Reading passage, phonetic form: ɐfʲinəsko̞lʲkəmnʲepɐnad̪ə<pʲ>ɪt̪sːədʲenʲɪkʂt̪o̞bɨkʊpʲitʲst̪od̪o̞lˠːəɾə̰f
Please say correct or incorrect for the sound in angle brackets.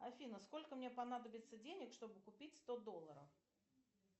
incorrect